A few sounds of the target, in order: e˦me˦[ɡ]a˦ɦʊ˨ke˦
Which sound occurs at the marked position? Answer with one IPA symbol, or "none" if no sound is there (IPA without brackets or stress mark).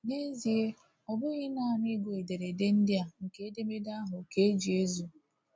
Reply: d